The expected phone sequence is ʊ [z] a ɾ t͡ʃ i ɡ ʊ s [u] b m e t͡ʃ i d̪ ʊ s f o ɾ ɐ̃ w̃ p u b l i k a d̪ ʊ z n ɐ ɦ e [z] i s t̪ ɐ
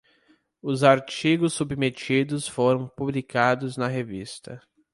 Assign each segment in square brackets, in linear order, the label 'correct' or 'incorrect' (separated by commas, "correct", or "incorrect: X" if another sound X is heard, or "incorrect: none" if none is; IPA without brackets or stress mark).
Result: correct, correct, incorrect: v